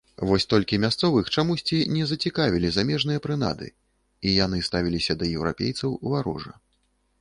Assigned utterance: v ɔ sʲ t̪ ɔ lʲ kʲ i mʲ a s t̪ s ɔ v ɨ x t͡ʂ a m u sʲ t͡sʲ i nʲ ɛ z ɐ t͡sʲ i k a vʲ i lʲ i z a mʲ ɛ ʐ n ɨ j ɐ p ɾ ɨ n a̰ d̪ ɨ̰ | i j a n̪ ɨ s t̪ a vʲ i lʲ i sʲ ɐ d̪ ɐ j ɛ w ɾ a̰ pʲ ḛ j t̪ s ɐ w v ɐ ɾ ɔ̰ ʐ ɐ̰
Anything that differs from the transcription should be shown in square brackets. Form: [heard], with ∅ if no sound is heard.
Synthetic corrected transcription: v ɔ sʲ t̪ ɔ lʲ kʲ i mʲ a s t̪ s ɔ v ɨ x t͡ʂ a m u sʲ t͡sʲ i nʲ ɛ z ɐ t͡sʲ i k a vʲ i lʲ i z a mʲ ɛ ʐ n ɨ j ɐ p ɾ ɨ n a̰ d̪ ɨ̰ | i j a n̪ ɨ s t̪ a vʲ i lʲ i sʲ ɐ d̪ ɐ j ɛ w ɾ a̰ pʲ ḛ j t̪ s ɐ w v [a] ɾ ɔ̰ ʐ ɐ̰

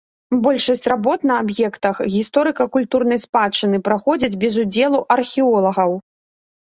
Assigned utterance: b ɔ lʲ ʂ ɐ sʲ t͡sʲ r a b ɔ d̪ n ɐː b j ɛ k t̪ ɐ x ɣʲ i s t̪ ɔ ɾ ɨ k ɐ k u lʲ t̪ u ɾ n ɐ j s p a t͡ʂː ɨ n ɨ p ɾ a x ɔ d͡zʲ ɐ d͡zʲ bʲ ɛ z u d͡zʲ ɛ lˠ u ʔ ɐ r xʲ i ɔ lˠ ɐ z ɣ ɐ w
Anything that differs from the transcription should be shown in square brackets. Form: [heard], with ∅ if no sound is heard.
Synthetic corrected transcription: b ɔ lʲ ʂ ɐ sʲ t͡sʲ r a b ɔ [t̪] n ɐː b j ɛ k t̪ ɐ x ɣʲ i s t̪ ɔ ɾ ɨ k ɐ k u lʲ t̪ u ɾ n ɐ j s p a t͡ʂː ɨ n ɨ p ɾ a x ɔ d͡zʲ ɐ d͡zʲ bʲ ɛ z u d͡zʲ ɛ lˠ u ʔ ɐ r xʲ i ɔ lˠ ɐ [∅] ɣ ɐ w

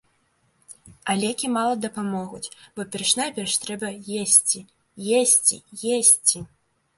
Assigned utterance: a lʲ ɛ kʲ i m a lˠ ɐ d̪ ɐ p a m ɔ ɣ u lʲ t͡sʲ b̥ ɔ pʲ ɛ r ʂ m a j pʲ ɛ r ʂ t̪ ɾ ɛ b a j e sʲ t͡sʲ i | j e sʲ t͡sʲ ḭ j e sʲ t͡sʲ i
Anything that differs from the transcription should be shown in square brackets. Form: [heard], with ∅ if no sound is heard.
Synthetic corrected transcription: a lʲ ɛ kʲ i m a lˠ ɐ d̪ ɐ p a m ɔ ɣ u [∅] t͡sʲ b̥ ɔ pʲ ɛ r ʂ [n] a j pʲ ɛ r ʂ t̪ ɾ ɛ b [ɐ] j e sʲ t͡sʲ i | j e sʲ t͡sʲ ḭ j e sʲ t͡sʲ i

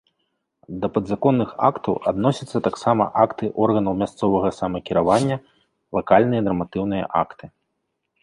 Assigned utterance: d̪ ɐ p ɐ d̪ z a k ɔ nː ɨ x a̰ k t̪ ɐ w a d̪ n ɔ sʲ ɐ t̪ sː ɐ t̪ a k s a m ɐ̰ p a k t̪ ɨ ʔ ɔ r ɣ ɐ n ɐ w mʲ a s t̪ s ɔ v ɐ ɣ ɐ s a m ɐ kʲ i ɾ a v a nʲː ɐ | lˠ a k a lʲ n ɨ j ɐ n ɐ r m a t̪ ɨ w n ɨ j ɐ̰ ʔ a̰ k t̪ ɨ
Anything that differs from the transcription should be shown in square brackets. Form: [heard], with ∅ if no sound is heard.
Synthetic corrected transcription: d̪ ɐ p ɐ d̪ z a k ɔ nː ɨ x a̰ k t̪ ɐ w a d̪ n ɔ sʲ ɐ t̪ sː ɐ t̪ a k s a m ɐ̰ [ʔ] a k t̪ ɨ ʔ ɔ r ɣ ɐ n ɐ w mʲ a s t̪ s ɔ v ɐ ɣ ɐ s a m ɐ kʲ i ɾ a v a nʲː ɐ | lˠ a k a lʲ n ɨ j ɐ n ɐ r m a t̪ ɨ w n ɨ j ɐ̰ ʔ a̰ k t̪ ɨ

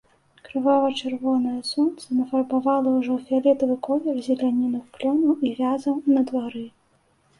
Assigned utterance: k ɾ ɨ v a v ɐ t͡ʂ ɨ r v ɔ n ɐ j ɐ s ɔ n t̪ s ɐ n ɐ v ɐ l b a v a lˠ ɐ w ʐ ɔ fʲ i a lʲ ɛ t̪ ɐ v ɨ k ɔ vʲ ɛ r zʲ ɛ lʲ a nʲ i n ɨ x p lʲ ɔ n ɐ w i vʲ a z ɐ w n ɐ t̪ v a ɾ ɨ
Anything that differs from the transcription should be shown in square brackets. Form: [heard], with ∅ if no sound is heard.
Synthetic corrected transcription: k ɾ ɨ v a v ɐ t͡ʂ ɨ r v ɔ n ɐ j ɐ s ɔ n t̪ s ɐ n ɐ [f] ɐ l b a v a lˠ ɐ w ʐ ɔ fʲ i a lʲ ɛ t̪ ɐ v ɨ k ɔ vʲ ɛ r zʲ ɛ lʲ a nʲ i n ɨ x p lʲ ɔ n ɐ w i vʲ a z ɐ w n ɐ [d̪] v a ɾ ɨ

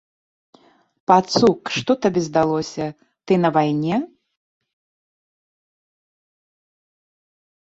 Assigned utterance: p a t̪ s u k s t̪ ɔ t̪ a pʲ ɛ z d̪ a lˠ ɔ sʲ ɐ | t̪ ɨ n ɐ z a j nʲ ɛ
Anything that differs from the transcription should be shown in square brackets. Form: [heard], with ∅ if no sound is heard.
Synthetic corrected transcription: p a t̪ s u k [ʂ] t̪ ɔ t̪ a [bʲ] ɛ z d̪ a lˠ ɔ sʲ ɐ | t̪ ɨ n ɐ [v] a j nʲ ɛ

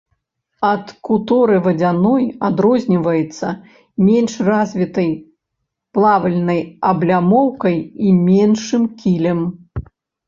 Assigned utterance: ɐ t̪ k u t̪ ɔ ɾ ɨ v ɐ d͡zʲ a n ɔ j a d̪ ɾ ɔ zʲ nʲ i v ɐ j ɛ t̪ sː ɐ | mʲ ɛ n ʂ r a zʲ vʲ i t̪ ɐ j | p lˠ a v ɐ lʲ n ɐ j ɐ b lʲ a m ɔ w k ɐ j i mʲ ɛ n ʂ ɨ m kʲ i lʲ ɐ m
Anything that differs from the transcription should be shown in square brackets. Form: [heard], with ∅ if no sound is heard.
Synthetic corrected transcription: ɐ t̪ k u t̪ ɔ ɾ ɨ v ɐ d͡zʲ a n ɔ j a d̪ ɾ ɔ zʲ nʲ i v ɐ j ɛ t̪ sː ɐ | mʲ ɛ n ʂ r a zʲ vʲ i t̪ ɐ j | p lˠ a v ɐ lʲ n ɐ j ɐ b lʲ a m ɔ w k ɐ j i mʲ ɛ n ʂ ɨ m kʲ i lʲ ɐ m

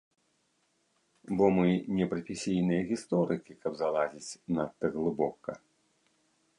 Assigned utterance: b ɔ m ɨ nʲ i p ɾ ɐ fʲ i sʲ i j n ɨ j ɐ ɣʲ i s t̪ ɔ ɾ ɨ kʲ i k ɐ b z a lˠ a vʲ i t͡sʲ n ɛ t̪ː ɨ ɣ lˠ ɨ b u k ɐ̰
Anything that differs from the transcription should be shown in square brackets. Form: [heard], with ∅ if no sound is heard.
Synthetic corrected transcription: b ɔ m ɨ nʲ [ɛ] p ɾ ɐ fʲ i sʲ i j n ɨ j ɐ ɣʲ i s t̪ ɔ ɾ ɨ kʲ i k ɐ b z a lˠ a [zʲ] i t͡sʲ n [a] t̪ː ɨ ɣ lˠ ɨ b [ɔ] k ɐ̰

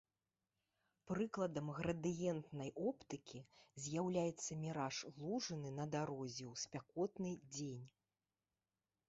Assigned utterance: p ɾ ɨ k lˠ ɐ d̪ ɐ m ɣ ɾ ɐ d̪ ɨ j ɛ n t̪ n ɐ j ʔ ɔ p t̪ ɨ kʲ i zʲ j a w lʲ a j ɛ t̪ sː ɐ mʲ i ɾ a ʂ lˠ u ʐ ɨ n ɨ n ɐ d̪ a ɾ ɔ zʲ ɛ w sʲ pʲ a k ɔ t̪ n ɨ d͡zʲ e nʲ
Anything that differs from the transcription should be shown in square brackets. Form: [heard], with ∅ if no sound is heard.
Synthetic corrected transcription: p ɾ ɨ k lˠ ɐ d̪ ɐ m ɣ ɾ ɐ d̪ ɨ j ɛ n t̪ n ɐ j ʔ ɔ p t̪ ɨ kʲ i zʲ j a w lʲ a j ɛ t̪ sː ɐ mʲ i ɾ a ʂ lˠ u ʐ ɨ n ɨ n ɐ d̪ a ɾ ɔ zʲ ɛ w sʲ pʲ a k ɔ t̪ n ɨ d͡zʲ e nʲ

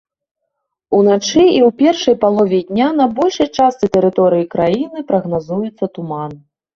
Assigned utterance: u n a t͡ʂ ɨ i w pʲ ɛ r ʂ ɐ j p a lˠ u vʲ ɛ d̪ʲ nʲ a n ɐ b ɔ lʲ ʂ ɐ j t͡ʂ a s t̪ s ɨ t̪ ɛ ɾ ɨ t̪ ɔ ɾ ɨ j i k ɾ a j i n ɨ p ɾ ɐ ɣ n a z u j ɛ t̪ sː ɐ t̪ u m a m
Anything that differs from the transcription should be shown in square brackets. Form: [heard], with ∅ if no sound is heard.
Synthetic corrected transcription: u n a t͡ʂ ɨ i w pʲ ɛ r ʂ ɐ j p a lˠ [ɔ] vʲ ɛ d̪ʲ nʲ a n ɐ b ɔ lʲ ʂ ɐ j t͡ʂ a s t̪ s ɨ t̪ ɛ ɾ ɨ t̪ ɔ ɾ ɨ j i k ɾ a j i n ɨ p ɾ ɐ ɣ n a z u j ɛ t̪ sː ɐ t̪ u m a [n]

